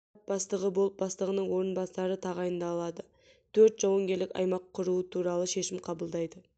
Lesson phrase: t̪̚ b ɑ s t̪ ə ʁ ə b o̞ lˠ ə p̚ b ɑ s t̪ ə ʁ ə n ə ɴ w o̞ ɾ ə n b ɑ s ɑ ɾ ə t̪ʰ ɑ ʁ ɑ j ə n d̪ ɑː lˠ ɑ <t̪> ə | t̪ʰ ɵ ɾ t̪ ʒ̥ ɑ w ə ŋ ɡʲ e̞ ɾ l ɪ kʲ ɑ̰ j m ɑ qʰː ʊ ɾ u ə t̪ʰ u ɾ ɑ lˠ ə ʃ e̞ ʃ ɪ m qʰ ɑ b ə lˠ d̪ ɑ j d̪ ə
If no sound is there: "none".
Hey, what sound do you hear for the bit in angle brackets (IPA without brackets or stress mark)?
d̪